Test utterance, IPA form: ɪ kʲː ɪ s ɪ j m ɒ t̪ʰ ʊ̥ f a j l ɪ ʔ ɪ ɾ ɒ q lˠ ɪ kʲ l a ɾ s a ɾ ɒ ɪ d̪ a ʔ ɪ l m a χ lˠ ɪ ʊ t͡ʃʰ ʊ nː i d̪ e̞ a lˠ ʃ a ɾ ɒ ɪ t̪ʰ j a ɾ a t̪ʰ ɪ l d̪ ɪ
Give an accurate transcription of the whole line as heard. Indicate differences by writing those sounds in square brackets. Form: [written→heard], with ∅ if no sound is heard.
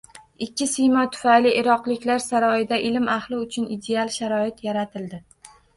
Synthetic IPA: ɪ kʲː ɪ s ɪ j m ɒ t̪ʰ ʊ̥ f a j l ɪ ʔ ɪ ɾ ɒ q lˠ ɪ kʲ l a ɾ s a ɾ ɒ ɪ d̪ a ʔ ɪ l m a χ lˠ ɪ ʊ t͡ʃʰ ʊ [nː→n] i d̪ e̞ a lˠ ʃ a ɾ ɒ ɪ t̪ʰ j a ɾ a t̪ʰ ɪ l d̪ ɪ